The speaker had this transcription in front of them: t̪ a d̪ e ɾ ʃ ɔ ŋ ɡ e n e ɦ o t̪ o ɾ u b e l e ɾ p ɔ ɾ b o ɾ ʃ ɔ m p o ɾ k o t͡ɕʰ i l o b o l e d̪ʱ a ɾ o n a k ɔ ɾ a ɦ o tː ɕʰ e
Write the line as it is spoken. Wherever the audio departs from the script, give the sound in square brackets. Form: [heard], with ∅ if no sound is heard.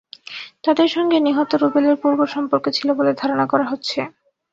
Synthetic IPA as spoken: t̪ a d̪ e ɾ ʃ ɔ ŋ ɡ e n [i] ɦ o t̪ o ɾ u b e l e ɾ p [u] ɾ b o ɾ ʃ ɔ m p o ɾ k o t͡ɕʰ i l o b o l e d̪ʱ a ɾ o n a k ɔ ɾ a ɦ o tː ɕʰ e